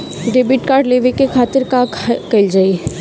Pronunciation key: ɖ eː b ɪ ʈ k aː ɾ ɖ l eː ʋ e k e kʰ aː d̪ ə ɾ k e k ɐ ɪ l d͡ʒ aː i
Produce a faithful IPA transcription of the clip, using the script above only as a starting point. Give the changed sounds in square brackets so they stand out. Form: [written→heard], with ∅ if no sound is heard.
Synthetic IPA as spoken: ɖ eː b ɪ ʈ k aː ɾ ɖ l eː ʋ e k e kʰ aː [d̪→t̪] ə ɾ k [e→a] k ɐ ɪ l d͡ʒ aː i